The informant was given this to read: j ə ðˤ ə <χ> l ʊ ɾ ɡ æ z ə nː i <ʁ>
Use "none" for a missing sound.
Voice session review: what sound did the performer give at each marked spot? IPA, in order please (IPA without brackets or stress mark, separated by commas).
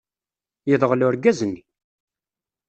ʁ, none